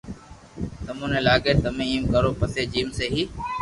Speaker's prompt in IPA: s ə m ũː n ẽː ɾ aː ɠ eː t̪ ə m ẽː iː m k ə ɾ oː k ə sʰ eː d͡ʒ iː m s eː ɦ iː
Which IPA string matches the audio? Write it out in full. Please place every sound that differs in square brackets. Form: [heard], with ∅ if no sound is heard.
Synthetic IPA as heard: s ə m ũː n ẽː [l] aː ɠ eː t̪ ə m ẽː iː m k ə ɾ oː [p] ə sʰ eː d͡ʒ iː m s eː ɦ iː